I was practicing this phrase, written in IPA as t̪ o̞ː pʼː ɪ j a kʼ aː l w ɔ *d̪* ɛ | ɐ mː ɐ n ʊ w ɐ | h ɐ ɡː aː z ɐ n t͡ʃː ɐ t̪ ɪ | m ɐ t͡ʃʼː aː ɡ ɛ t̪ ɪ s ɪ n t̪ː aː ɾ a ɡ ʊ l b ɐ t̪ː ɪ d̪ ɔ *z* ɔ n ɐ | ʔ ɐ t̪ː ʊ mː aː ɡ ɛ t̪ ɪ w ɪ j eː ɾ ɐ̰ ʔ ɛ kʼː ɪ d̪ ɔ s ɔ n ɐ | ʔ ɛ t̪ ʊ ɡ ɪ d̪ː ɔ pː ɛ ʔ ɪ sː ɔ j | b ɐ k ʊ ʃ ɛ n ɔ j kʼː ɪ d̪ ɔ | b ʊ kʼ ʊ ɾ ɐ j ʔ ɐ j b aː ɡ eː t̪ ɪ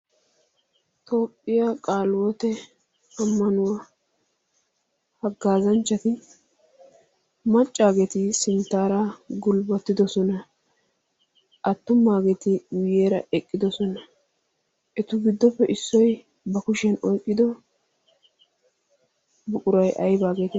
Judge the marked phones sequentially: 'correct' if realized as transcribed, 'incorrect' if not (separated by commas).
incorrect, incorrect